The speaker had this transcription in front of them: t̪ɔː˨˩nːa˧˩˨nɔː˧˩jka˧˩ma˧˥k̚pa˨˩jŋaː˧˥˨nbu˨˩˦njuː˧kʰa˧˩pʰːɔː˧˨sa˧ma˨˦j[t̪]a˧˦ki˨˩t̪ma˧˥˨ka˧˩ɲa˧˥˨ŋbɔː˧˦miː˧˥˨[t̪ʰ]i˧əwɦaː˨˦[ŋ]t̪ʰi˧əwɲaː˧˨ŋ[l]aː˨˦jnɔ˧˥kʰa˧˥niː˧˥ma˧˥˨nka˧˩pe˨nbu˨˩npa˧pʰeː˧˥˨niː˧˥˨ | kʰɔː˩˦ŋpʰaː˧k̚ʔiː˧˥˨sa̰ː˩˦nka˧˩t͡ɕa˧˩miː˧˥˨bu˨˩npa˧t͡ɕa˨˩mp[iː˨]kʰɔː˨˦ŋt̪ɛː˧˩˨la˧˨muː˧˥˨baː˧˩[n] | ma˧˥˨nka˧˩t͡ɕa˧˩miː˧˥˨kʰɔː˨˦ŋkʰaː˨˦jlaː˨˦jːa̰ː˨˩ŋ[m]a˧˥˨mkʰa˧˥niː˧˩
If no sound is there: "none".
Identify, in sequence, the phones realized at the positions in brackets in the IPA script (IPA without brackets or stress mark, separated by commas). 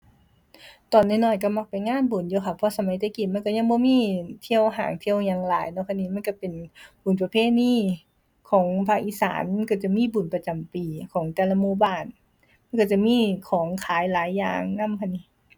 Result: t̪, t̪ʰ, ŋ, l, iː˨, n, n